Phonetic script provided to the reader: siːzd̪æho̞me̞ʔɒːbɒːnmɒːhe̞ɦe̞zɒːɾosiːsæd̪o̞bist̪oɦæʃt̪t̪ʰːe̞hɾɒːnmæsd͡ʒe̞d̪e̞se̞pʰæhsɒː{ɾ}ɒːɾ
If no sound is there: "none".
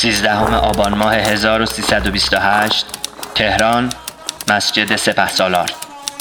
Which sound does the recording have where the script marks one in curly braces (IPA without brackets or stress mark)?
l